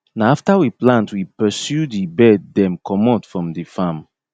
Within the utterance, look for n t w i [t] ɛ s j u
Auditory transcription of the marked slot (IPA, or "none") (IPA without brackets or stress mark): p